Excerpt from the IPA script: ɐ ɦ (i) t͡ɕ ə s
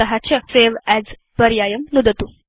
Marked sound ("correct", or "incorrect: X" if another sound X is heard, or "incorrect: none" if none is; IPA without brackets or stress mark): incorrect: a